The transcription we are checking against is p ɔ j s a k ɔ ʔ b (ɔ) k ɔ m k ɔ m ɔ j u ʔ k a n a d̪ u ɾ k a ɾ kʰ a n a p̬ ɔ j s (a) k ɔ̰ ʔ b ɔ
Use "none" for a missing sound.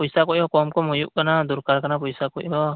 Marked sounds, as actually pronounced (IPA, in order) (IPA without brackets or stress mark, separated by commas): ɔ, a